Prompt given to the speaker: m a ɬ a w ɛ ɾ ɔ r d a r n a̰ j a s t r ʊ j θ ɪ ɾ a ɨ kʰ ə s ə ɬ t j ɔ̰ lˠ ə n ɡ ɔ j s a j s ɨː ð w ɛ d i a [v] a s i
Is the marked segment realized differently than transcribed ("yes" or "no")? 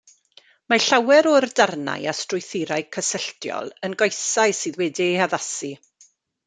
yes